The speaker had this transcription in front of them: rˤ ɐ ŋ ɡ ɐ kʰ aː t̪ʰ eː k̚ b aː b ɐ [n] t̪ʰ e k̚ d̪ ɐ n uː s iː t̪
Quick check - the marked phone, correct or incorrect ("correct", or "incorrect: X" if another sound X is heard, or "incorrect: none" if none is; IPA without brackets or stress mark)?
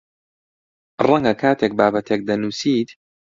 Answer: incorrect: none